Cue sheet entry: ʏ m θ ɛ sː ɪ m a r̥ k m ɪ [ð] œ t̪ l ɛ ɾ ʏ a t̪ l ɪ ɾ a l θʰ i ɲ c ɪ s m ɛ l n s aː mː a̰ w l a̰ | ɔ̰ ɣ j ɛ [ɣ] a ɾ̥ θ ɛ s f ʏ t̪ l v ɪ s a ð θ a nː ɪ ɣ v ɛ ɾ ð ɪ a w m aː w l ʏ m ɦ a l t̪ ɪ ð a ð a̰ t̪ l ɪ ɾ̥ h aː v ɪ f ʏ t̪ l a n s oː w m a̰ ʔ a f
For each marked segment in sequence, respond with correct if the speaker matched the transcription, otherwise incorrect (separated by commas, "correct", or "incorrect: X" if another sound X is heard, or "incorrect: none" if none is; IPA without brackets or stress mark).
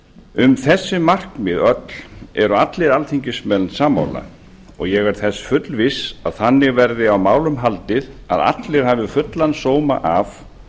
correct, correct